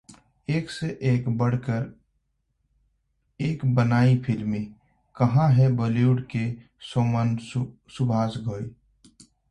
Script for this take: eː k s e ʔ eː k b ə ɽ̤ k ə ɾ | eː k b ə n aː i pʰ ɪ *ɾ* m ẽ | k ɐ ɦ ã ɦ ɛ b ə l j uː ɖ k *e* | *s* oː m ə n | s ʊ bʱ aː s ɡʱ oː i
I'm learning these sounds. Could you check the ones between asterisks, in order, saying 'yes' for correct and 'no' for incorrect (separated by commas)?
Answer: no, yes, yes